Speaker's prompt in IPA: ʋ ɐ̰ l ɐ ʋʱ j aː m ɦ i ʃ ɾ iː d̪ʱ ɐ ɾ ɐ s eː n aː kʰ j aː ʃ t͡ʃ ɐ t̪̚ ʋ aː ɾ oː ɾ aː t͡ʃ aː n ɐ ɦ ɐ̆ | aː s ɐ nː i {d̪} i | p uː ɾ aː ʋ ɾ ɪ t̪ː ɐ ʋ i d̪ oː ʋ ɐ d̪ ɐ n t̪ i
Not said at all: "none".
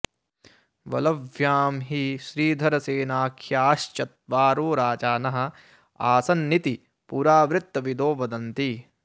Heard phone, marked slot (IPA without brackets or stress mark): t̪